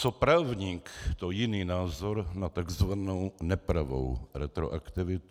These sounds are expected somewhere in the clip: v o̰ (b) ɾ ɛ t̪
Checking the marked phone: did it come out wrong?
yes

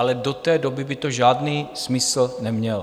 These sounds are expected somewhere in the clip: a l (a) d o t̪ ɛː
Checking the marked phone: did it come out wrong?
yes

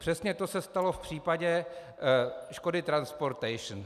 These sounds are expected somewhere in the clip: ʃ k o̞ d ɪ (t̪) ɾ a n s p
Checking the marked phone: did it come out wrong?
no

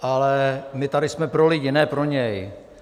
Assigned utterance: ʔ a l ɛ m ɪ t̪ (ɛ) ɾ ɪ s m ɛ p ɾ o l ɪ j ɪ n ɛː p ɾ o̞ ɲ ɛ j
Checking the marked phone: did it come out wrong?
yes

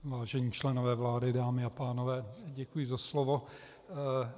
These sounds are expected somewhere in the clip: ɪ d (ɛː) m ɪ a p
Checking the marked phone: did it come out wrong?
yes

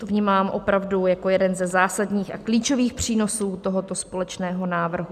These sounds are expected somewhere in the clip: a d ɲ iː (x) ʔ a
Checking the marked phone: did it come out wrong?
no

